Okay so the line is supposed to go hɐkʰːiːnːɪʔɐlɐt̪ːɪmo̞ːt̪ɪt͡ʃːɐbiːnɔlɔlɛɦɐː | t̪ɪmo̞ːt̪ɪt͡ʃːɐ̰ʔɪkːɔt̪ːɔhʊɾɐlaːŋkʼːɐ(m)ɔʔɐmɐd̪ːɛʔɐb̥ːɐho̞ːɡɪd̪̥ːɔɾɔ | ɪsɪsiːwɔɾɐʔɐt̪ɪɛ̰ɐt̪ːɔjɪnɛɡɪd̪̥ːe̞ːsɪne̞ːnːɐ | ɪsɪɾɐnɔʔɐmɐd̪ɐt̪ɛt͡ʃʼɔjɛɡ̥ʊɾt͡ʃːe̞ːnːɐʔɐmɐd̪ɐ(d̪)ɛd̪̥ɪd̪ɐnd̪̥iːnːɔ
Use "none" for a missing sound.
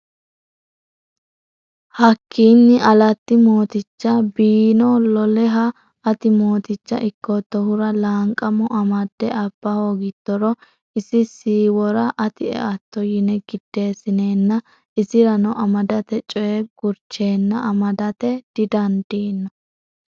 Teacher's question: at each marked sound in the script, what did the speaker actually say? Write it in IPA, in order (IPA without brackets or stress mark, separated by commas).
m, t̪